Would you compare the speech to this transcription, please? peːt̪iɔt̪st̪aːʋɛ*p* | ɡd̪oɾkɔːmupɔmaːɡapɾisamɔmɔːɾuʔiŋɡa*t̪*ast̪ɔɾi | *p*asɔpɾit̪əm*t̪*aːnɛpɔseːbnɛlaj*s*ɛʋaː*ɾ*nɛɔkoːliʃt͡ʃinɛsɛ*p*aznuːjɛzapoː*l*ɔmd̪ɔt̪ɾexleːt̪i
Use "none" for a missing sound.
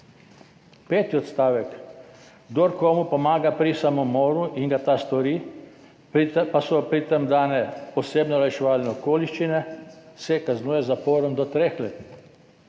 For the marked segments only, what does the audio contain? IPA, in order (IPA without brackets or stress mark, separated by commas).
k, t̪, p, d̪, ʃ, l, k, ɾ